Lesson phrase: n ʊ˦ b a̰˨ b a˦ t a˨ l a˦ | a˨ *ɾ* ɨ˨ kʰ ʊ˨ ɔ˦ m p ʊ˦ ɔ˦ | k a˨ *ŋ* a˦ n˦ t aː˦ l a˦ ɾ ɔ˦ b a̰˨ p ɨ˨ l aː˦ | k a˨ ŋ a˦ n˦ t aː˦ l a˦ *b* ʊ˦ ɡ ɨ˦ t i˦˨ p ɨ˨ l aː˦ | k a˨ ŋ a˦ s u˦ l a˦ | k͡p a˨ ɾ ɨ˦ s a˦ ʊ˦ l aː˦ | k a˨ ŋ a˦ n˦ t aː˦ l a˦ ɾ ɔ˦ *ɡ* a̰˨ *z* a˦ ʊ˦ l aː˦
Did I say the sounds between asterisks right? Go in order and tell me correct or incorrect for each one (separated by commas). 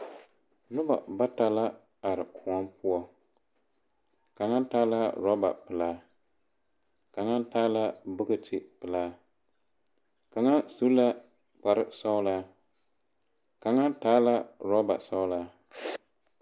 correct, correct, correct, incorrect, incorrect